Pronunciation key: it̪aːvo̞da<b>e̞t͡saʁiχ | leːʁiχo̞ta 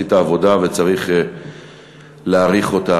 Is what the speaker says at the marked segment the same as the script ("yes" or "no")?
no